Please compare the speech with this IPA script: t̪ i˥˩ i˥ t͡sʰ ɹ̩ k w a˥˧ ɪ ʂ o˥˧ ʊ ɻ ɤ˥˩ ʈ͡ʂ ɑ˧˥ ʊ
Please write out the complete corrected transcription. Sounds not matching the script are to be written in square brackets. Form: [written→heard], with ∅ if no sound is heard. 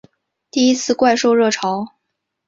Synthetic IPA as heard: t̪ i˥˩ i˥ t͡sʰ ɹ̩ k w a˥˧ ɪ ʂ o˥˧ ʊ ɻ ɤ˥˩ [ʈ͡ʂ→ʈ͡ʂʰ] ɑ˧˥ ʊ